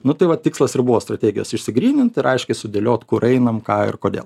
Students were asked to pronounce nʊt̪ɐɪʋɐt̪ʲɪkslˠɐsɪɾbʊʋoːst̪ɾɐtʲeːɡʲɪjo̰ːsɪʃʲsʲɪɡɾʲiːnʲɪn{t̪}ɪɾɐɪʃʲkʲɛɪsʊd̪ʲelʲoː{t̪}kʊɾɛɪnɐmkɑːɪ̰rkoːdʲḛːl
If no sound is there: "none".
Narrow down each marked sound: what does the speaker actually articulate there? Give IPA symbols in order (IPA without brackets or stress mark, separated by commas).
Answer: t̪, t̪